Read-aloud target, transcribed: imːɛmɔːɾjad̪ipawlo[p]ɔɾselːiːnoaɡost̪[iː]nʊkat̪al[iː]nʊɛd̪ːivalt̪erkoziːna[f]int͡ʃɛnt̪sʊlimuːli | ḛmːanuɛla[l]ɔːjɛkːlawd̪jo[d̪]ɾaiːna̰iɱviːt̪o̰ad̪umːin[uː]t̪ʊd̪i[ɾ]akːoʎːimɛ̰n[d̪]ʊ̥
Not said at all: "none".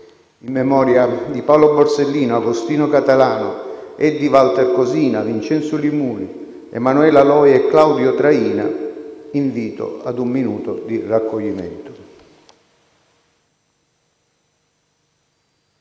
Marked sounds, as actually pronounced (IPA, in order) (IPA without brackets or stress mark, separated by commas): b, iː, aː, v, l, t̪, uː, r, t̪